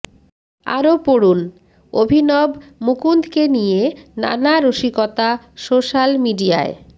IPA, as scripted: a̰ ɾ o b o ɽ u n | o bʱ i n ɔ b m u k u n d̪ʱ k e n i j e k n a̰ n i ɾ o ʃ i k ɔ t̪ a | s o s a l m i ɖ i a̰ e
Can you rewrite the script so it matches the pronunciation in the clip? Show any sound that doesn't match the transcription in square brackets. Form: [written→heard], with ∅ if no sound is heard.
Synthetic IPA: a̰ ɾ o [b→p] o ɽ u n | o bʱ i n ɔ b m u k u n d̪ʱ k e n i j e [k→∅] n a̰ n [i→a] ɾ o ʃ i k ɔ t̪ a | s o [s→ʃ] a l m i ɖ i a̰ e